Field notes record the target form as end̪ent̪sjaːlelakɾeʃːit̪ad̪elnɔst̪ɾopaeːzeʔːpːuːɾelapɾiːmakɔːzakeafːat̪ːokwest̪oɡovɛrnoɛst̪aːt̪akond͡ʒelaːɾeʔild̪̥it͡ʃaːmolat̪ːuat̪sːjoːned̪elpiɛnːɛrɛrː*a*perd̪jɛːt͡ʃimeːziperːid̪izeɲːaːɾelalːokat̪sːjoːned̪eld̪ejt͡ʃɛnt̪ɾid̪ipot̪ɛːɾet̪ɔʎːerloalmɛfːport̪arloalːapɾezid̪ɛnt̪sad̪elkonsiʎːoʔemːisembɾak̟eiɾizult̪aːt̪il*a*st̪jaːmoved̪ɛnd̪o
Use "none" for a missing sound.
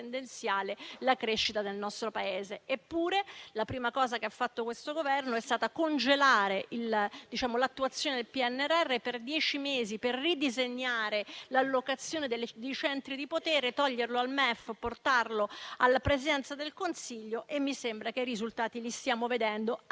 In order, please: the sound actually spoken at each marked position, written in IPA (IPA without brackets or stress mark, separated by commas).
e, i